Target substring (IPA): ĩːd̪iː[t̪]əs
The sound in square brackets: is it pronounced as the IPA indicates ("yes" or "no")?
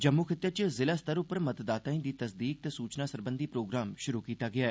yes